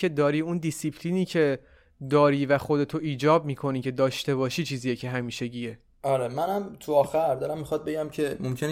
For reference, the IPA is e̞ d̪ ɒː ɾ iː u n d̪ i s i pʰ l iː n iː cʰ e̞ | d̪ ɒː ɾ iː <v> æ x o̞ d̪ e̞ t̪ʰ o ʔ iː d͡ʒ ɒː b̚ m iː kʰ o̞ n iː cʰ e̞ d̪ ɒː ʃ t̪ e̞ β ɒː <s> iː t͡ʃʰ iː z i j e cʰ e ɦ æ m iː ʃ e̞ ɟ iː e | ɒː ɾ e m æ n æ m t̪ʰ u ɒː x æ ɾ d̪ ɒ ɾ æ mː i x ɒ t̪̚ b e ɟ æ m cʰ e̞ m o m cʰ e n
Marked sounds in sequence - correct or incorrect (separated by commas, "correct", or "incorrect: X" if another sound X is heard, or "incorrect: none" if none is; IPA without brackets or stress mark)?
correct, incorrect: ʃ